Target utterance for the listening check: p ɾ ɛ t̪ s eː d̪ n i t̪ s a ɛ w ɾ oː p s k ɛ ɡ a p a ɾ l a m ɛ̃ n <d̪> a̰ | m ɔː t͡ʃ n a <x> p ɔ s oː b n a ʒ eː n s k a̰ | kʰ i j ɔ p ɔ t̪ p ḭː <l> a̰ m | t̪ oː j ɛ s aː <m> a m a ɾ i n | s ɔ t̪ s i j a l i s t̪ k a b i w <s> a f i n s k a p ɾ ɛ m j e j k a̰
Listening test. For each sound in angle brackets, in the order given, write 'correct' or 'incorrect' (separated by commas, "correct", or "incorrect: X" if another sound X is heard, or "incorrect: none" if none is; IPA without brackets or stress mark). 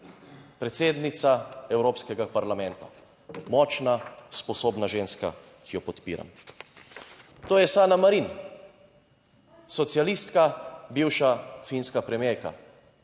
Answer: incorrect: t̪, incorrect: s, incorrect: ɾ, incorrect: n, incorrect: ʃ